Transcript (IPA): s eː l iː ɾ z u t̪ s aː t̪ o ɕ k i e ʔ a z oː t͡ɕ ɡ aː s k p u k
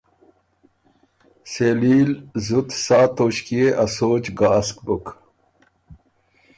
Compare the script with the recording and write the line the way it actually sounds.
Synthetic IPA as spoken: s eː l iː l z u t̪ s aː t̪ o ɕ k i e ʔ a s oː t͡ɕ ɡ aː s k b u k